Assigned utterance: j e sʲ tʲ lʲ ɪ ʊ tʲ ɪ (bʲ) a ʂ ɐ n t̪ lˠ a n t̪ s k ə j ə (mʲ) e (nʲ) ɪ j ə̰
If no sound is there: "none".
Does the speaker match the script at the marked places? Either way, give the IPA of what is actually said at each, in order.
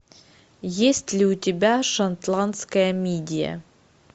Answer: bʲ, mʲ, dʲ

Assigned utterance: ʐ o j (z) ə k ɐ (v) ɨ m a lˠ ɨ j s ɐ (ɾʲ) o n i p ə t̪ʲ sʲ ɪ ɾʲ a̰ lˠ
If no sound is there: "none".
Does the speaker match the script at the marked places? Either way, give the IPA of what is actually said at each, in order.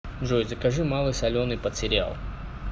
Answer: z, ʐ, lʲ

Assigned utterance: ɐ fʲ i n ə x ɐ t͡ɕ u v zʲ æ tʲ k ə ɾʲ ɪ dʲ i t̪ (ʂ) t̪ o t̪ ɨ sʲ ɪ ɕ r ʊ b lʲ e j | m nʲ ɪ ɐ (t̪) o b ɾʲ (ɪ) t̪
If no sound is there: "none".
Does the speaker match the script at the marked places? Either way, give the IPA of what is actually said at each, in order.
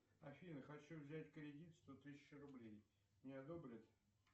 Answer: s, d̪, ɪ

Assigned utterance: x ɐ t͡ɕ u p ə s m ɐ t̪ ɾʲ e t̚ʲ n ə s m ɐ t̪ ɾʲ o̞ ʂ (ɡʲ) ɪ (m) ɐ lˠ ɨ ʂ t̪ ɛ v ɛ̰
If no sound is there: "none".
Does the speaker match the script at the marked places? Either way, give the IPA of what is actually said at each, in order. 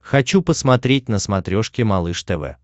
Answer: kʲ, m

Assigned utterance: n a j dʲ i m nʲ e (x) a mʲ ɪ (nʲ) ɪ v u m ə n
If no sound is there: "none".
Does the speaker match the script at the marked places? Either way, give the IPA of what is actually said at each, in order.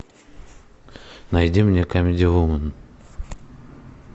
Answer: k, dʲ

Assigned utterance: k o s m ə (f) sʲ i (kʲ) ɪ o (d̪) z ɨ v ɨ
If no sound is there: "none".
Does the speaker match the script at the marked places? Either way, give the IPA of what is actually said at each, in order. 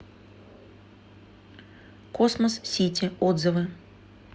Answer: s, tʲ, d̪

